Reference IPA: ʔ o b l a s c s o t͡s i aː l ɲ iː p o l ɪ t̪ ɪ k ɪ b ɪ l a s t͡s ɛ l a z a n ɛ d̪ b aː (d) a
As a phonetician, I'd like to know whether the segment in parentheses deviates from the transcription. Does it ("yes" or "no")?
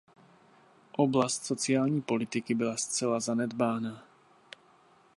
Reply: yes